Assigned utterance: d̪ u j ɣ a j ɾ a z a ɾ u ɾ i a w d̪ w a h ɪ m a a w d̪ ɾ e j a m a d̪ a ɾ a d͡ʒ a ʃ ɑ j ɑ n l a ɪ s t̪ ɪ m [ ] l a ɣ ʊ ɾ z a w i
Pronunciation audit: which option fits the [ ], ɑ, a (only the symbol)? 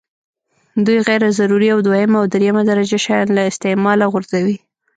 ɑ